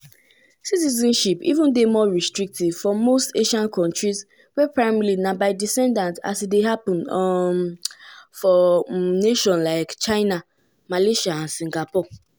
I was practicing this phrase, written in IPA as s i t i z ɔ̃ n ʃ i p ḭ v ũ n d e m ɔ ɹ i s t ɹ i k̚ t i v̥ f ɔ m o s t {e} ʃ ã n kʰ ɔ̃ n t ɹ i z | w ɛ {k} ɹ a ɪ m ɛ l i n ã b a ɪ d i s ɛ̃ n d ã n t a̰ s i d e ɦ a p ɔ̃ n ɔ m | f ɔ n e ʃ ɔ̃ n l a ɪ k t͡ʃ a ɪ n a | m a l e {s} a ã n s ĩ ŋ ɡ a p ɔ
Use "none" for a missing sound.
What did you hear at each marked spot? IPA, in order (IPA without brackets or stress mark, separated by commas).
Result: e, p, ʃ